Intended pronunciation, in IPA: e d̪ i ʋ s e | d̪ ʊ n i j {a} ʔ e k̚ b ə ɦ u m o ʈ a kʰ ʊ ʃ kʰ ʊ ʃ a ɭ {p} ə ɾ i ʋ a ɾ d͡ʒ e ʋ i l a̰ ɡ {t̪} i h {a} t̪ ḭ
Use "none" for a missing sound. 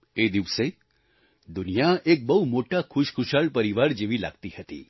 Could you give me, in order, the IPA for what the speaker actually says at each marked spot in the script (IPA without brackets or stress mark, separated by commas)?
a, p, t̪, ə